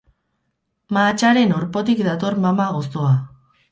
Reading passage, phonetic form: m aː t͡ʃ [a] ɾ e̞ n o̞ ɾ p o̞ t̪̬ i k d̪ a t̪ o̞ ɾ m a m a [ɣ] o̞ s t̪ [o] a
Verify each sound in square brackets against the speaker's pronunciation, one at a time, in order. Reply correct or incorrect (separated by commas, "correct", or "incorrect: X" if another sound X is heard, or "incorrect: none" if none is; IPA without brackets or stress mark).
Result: correct, correct, correct